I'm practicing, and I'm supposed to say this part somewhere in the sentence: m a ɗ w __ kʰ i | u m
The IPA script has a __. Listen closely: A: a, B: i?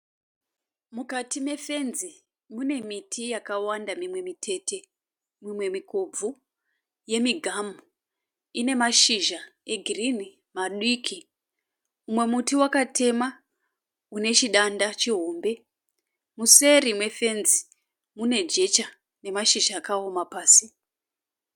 B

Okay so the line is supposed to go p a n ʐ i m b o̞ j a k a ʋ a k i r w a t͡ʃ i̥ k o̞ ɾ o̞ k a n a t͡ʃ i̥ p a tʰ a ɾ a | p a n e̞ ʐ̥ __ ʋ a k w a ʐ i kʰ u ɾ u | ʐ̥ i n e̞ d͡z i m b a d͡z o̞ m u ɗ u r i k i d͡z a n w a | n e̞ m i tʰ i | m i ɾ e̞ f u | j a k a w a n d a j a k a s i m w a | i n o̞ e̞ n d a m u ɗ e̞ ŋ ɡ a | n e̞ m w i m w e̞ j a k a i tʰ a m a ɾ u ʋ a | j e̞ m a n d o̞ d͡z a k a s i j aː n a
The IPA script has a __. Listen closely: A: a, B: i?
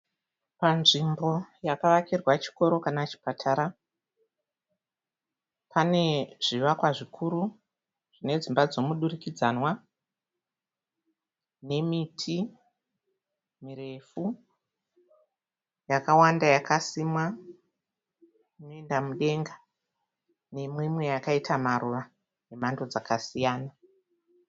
B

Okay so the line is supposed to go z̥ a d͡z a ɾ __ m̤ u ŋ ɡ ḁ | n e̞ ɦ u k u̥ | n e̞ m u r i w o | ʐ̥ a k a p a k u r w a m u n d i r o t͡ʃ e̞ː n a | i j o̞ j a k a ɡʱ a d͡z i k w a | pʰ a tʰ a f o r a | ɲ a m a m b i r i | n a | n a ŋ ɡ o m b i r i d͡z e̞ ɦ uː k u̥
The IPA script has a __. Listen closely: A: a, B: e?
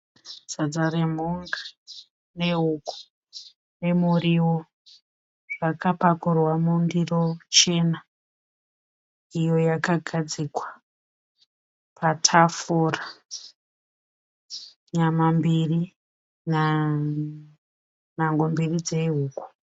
B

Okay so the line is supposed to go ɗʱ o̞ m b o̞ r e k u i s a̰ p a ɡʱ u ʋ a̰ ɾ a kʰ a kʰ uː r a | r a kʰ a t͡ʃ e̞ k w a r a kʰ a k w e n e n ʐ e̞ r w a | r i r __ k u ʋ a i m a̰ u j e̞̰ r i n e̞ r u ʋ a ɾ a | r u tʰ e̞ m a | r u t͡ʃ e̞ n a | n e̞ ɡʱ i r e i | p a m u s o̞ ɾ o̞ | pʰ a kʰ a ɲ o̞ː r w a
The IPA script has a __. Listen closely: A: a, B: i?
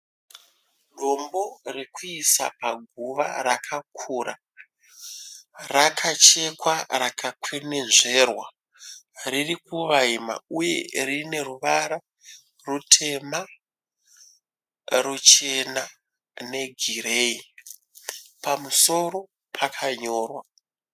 B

